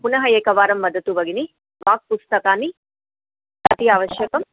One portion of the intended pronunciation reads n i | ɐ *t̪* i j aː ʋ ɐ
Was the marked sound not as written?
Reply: no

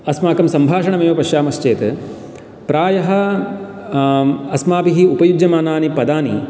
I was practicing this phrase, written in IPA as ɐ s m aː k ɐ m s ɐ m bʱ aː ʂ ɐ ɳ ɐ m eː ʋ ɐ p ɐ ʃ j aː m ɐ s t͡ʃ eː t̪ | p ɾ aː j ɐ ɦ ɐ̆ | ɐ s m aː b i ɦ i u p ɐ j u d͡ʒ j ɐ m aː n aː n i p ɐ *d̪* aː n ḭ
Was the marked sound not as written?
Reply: no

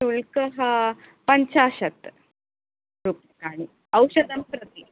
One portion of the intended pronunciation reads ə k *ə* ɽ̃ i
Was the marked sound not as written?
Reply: yes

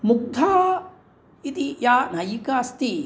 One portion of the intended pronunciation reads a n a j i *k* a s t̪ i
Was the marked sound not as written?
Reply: no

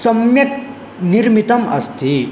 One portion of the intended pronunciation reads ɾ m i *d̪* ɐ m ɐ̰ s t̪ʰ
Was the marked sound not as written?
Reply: yes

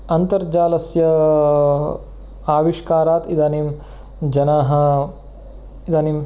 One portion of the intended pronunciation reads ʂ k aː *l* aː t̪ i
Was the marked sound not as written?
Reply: yes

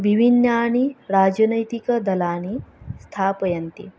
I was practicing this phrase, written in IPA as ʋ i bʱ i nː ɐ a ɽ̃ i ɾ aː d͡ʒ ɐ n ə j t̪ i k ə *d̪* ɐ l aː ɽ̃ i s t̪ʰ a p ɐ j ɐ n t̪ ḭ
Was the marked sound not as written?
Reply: no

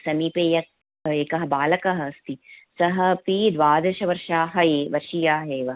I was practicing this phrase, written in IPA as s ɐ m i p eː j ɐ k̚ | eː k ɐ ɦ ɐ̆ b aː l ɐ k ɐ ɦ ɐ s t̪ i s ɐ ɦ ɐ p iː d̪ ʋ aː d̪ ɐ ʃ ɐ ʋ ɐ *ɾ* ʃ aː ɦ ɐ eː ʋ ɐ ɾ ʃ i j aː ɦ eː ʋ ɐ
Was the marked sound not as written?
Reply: no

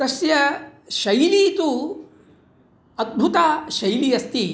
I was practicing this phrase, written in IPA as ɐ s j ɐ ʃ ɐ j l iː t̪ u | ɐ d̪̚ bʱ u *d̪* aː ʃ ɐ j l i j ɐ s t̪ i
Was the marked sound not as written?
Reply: yes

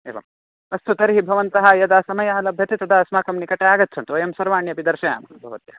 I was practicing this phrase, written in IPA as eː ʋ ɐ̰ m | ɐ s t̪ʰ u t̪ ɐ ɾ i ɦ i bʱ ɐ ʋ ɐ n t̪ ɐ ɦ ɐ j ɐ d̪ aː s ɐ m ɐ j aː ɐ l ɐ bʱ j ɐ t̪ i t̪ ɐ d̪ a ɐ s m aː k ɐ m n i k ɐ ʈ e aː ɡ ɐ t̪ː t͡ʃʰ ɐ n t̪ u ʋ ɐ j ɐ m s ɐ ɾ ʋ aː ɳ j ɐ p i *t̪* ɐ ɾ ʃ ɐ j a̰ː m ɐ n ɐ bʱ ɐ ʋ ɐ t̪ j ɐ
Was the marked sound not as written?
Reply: yes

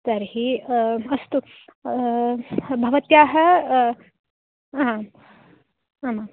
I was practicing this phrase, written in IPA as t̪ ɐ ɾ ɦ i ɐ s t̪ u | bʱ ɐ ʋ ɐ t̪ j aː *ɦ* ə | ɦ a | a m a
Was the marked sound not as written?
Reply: no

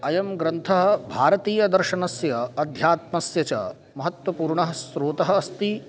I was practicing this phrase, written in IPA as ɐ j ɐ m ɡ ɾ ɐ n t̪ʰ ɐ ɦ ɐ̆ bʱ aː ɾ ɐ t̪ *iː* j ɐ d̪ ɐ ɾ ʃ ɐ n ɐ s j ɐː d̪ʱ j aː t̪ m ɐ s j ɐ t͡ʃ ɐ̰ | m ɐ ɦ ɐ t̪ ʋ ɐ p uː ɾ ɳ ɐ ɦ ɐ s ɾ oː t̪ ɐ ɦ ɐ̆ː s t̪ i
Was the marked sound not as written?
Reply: no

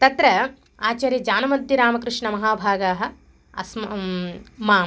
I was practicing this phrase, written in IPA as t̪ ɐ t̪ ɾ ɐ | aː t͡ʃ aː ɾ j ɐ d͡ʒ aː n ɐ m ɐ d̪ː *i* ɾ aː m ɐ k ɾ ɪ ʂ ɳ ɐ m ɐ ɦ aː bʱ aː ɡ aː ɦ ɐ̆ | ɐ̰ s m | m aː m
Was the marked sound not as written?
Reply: no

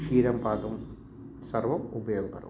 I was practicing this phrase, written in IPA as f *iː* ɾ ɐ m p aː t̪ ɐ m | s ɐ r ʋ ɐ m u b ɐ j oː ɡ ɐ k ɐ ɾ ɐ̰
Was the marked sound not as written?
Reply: no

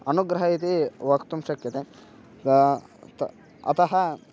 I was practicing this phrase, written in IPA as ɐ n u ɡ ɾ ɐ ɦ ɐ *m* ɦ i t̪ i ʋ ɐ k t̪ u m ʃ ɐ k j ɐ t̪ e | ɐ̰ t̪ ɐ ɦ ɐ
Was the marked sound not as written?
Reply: yes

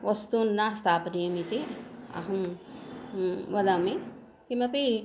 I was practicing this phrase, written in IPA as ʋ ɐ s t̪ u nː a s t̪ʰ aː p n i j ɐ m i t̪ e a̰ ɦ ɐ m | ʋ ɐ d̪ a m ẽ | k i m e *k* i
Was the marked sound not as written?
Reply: yes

